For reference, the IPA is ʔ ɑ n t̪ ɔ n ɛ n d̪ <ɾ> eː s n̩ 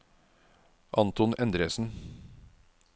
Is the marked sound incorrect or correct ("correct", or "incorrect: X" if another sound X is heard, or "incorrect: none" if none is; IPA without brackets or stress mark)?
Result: correct